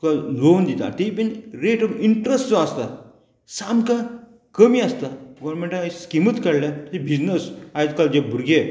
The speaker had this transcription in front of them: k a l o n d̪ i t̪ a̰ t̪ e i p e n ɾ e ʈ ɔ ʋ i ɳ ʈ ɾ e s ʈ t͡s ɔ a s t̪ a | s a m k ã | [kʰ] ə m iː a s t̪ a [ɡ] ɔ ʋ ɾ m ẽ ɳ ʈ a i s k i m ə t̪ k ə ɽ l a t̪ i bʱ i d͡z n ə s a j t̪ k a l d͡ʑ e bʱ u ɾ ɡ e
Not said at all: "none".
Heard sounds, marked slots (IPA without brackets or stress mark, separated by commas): k, ɡ